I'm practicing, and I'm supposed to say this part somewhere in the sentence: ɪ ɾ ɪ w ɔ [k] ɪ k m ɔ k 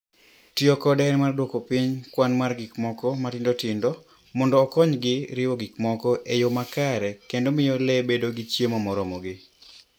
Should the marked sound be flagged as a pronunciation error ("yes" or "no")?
yes